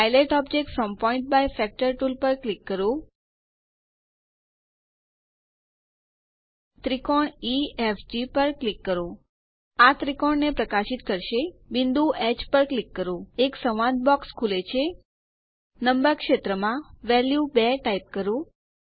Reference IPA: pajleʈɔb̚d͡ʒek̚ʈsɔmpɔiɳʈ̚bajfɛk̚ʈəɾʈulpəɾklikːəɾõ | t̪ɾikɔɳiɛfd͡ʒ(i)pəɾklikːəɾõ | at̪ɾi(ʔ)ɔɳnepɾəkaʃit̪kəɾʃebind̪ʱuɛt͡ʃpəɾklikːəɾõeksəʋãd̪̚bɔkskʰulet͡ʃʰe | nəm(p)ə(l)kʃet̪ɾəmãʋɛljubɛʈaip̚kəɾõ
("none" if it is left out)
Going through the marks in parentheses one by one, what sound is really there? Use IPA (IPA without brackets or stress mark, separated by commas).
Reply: i, k, b, ɾ